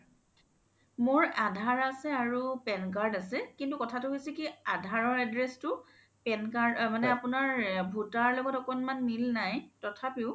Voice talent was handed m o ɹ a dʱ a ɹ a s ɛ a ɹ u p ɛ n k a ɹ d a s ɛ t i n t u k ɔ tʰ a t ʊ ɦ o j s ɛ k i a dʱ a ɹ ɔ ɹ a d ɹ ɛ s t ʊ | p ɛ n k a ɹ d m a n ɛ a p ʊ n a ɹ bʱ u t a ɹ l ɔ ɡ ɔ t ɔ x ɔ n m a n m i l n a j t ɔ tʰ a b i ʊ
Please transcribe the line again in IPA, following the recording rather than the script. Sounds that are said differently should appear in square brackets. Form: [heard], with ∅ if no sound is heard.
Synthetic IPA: m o ɹ a dʱ a ɹ a s ɛ a ɹ u p ɛ n k a ɹ d a s ɛ [k] i n t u k ɔ tʰ a t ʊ ɦ o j s ɛ k i a dʱ a ɹ ɔ ɹ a d ɹ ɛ s t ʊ | p ɛ n k a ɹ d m a n ɛ a p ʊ n a ɹ bʱ u t a ɹ l ɔ ɡ ɔ t ɔ [k] ɔ n m a n m i l n a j t ɔ tʰ a [p] i ʊ